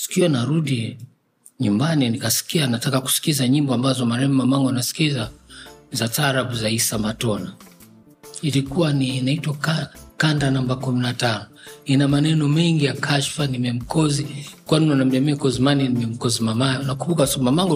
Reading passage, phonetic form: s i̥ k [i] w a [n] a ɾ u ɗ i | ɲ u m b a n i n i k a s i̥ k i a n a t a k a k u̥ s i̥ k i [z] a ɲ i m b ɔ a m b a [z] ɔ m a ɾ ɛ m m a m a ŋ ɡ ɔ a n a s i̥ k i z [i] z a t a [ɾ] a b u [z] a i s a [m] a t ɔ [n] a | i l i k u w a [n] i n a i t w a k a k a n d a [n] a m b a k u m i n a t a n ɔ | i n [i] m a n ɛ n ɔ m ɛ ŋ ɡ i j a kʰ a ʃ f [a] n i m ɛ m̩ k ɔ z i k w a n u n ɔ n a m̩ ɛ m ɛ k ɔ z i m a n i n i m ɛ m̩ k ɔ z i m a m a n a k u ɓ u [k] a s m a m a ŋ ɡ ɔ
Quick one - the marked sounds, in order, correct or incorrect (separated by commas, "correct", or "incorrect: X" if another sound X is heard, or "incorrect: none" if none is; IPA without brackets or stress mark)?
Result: correct, correct, correct, correct, incorrect: a, correct, correct, correct, correct, correct, correct, incorrect: a, correct, correct